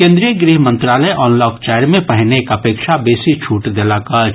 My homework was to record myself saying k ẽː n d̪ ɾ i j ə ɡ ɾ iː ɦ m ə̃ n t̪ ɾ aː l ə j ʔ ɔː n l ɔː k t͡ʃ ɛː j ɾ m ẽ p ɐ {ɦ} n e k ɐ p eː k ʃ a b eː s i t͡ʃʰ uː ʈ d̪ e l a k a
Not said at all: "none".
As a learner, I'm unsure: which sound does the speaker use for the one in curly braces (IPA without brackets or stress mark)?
ɦ